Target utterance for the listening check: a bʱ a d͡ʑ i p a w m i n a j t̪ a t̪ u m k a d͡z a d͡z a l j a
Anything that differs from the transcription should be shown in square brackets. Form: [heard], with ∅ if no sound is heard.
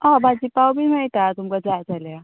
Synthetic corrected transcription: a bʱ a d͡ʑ i p a w [b] i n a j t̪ a t̪ u m k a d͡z a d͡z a l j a